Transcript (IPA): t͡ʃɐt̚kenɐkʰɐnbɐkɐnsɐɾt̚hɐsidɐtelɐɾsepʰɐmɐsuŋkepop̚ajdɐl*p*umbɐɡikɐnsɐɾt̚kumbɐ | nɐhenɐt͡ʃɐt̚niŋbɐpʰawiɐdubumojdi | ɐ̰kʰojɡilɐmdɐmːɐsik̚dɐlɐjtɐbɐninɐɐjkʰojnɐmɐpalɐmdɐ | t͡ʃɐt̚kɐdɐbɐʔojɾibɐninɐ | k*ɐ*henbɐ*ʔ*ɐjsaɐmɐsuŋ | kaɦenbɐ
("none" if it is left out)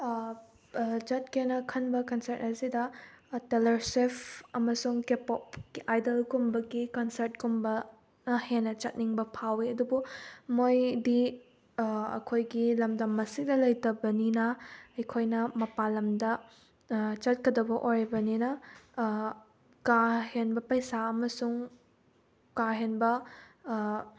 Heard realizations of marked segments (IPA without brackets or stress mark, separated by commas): k, a, p